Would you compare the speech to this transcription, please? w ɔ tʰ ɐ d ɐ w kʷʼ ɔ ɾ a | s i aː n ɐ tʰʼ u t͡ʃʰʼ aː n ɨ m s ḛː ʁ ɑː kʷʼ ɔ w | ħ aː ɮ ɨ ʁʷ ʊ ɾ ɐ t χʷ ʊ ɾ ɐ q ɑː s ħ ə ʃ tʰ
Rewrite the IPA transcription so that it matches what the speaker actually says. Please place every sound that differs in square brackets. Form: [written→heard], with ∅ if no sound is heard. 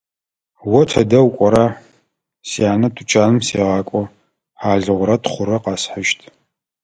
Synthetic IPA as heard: w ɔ tʰ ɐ d ɐ w kʷʼ ɔ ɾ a | s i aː n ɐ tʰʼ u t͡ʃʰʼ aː n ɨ m s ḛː ʁ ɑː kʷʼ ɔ [w→∅] | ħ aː ɮ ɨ ʁʷ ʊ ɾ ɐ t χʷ ʊ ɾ ɐ q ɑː s ħ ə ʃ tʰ